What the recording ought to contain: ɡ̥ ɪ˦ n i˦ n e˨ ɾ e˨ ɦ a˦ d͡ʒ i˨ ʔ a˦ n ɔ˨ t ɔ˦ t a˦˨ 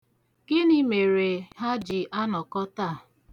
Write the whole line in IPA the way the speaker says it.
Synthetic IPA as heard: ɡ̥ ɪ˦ n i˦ m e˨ ɾ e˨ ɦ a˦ d͡ʒ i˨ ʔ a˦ n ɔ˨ k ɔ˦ t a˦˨